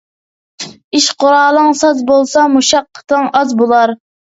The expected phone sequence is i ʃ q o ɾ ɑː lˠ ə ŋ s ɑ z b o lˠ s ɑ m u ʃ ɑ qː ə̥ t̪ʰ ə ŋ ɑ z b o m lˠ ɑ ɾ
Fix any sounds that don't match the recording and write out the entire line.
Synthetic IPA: i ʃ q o ɾ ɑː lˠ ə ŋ s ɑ z b o lˠ s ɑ m u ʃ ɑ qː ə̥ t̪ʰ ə ŋ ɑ z b o lˠ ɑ ɾ